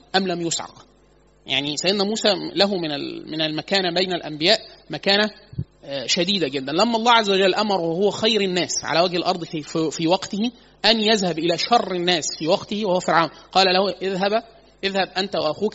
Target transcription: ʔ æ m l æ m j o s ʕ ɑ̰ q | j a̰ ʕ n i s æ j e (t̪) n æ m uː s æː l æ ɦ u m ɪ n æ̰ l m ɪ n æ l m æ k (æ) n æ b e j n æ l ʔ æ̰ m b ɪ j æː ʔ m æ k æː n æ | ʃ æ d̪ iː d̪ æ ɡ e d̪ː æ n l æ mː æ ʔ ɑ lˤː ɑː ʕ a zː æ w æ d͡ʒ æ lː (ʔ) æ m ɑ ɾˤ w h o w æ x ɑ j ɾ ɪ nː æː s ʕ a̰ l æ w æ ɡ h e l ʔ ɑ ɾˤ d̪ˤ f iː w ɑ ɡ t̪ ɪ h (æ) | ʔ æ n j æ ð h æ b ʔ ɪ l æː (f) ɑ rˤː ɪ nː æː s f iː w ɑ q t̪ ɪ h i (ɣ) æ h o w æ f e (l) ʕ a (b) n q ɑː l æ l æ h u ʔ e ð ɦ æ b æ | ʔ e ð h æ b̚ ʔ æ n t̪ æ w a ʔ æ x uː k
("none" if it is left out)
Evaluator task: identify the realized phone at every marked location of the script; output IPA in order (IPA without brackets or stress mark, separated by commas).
d̪, æː, ʔ, i, ʃ, w, ɾ, w